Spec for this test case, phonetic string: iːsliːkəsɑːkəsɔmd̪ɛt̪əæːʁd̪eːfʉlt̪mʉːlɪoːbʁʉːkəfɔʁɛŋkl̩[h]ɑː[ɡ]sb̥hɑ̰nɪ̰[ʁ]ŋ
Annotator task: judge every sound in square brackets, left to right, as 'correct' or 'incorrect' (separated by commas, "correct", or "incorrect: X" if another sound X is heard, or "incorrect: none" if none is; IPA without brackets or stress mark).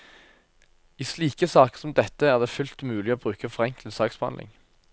incorrect: s, incorrect: k, incorrect: none